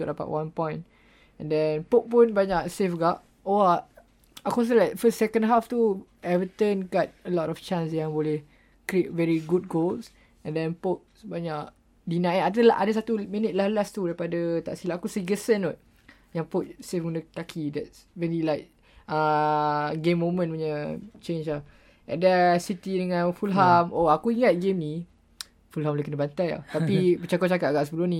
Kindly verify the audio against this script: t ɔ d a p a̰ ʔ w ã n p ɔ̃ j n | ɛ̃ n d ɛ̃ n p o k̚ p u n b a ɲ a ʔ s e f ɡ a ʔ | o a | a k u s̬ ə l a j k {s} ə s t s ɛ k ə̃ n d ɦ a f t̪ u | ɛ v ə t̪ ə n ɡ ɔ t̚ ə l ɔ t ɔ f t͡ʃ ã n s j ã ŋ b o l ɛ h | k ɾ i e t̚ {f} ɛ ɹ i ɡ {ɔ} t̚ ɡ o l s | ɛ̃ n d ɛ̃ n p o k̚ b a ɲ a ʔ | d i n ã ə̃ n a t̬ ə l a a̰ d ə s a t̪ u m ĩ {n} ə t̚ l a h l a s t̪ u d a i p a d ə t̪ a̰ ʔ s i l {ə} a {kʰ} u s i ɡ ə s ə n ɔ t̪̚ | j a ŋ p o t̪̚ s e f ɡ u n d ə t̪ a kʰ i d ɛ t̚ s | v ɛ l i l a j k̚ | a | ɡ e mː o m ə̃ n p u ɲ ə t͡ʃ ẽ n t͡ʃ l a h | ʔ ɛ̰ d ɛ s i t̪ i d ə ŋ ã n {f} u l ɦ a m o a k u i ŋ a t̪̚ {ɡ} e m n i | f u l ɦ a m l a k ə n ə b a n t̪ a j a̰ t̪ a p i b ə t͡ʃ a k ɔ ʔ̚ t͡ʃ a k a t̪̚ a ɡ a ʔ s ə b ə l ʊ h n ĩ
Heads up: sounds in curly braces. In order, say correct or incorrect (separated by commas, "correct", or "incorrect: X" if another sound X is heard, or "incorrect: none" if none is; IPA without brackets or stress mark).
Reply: incorrect: f, incorrect: v, incorrect: u, correct, incorrect: a, incorrect: k, correct, correct